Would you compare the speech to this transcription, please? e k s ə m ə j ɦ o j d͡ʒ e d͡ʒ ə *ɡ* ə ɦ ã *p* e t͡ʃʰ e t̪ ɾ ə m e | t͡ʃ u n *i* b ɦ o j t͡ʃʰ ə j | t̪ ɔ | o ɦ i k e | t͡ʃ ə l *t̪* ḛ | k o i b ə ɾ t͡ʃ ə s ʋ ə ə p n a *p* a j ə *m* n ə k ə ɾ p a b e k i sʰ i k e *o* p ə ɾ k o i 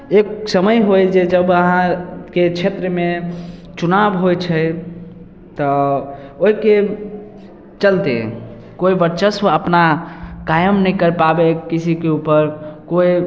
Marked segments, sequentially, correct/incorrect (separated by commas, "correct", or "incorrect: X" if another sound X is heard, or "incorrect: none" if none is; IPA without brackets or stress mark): incorrect: b, incorrect: k, incorrect: a, correct, incorrect: k, correct, incorrect: u